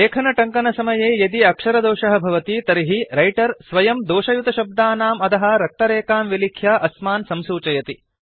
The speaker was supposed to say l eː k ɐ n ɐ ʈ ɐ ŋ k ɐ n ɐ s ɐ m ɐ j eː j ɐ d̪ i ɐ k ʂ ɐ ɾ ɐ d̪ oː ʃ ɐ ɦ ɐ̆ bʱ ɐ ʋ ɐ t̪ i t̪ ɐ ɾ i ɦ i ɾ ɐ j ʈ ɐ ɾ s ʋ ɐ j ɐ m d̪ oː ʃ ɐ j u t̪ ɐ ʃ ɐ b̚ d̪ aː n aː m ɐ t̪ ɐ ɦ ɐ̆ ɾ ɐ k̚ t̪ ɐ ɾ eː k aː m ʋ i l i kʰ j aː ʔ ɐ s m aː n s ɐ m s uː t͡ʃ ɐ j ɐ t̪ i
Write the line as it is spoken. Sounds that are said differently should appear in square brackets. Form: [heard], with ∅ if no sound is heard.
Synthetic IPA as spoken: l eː [kʰ] ɐ n ɐ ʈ ɐ ŋ k ɐ n ɐ s ɐ m ɐ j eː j ɐ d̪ i ɐ k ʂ ɐ ɾ ɐ d̪ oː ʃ ɐ ɦ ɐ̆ bʱ ɐ ʋ ɐ t̪ i t̪ ɐ ɾ i ɦ i ɾ ɐ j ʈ ɐ ɾ s ʋ ɐ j ɐ m d̪ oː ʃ ɐ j u t̪ ɐ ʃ ɐ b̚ d̪ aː n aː m ɐ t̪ ɐ ɦ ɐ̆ ɾ ɐ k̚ t̪ ɐ ɾ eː k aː m ʋ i l i kʰ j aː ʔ ɐ s m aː n s ɐ m s uː t͡ʃ ɐ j ɐ t̪ i